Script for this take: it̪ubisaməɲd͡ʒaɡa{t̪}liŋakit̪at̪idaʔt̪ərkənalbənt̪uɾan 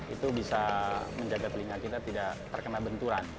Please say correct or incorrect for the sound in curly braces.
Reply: correct